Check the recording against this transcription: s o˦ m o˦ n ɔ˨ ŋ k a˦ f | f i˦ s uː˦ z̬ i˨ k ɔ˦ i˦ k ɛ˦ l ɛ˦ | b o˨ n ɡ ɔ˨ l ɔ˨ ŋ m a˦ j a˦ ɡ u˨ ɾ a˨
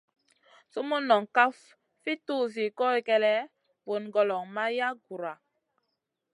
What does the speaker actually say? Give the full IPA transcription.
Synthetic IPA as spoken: s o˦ m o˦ n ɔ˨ ŋ k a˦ f | f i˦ t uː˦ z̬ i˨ k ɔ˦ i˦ k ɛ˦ l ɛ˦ | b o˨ n ɡ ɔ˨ l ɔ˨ ŋ m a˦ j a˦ ɡ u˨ ɾ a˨